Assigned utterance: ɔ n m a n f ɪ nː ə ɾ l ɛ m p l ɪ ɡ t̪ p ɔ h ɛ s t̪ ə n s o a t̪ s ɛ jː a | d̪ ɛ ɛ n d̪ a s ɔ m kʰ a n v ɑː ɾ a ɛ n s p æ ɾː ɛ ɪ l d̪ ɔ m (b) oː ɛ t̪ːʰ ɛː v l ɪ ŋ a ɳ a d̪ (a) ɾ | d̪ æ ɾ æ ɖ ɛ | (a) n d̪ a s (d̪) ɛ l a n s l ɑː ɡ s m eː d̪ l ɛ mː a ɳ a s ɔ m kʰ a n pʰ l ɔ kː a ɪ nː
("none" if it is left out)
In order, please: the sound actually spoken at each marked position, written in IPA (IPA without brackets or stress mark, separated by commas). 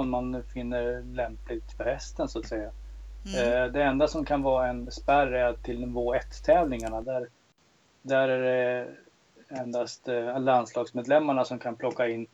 v, æ, ɛ, t̪